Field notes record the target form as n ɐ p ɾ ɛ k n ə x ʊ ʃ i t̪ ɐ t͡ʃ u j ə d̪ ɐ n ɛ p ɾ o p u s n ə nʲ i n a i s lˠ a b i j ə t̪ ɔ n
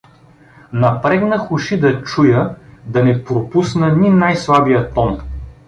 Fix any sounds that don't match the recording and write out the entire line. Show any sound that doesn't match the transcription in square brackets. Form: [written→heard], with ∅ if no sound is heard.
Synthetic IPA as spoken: n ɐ p ɾ ɛ [k→ɡ] n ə x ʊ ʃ i [t̪→d̪] ɐ t͡ʃ u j ə d̪ ɐ n ɛ p ɾ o p u s n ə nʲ i n a [i→j] s lˠ a b i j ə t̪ ɔ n